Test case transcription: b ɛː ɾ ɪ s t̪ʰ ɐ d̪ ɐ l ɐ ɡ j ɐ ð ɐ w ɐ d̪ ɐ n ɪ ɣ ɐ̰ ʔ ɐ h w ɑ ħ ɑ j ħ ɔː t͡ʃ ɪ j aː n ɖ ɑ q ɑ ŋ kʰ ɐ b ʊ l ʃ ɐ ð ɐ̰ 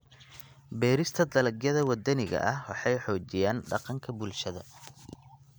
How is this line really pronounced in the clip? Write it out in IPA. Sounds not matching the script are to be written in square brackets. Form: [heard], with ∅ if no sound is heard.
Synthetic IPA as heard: b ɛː ɾ ɪ s t̪ʰ ɐ d̪ ɐ l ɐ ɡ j ɐ ð ɐ w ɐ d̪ ɐ n ɪ ɣ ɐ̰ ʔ ɐ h w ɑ ħ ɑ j ħ ɔː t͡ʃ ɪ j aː n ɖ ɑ q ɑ ŋ kʰ ɐ b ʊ l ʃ ɐ ð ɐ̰